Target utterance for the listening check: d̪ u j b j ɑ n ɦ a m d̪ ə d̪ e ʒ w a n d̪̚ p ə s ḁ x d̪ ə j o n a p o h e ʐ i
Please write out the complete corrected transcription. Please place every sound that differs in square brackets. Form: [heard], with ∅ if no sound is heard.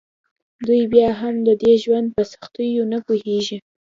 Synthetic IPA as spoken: d̪ u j b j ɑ [∅] ɦ a m d̪ ə d̪ e ʒ w a n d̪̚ p ə s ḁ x [t̪] ə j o n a p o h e [ʒ] i